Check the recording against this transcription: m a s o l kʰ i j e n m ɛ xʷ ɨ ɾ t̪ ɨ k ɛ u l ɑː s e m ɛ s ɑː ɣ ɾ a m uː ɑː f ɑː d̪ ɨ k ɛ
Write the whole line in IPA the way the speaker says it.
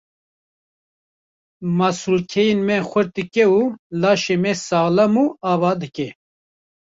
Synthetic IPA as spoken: m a s u l kʰ ɛ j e n m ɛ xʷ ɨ ɾ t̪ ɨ k ɛ u l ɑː ʃ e m ɛ s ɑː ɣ l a m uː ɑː v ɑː d̪ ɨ k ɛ